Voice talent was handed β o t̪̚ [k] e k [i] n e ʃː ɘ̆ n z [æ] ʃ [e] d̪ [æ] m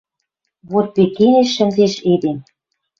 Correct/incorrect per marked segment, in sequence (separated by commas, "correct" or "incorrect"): incorrect, incorrect, incorrect, correct, incorrect